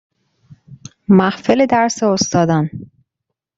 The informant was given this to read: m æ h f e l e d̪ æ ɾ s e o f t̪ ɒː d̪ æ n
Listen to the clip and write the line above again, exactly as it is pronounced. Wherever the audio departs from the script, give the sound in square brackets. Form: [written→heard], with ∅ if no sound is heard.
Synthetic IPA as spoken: m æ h f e l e d̪ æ ɾ s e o [f→s] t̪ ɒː d̪ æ n